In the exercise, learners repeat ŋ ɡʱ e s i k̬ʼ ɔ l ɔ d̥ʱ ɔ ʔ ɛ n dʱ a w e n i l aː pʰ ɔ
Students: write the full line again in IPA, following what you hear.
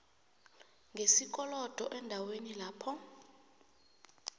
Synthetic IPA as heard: ŋ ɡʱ e s i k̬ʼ ɔ l ɔ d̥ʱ ɔ ʔ ɛ n dʱ a w e n i l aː pʰ ɔ